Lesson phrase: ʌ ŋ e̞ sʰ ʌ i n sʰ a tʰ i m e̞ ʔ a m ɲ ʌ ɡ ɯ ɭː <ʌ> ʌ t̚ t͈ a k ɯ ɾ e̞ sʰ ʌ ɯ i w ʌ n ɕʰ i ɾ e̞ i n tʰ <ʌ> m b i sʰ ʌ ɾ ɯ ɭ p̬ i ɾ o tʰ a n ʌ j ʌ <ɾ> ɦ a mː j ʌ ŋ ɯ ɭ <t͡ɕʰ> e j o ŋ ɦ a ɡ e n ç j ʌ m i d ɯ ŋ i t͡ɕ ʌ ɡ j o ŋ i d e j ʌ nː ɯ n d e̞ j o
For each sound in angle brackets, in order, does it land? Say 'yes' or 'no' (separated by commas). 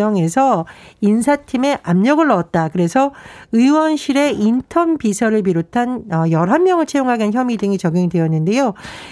yes, yes, yes, yes